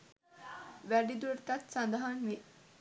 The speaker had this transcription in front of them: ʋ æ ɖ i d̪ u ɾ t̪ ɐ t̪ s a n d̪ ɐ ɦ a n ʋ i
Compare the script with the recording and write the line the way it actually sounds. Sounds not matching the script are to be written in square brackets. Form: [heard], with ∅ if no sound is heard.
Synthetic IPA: ʋ æ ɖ i d̪ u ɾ t̪ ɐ t̪ s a n d̪ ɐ ɦ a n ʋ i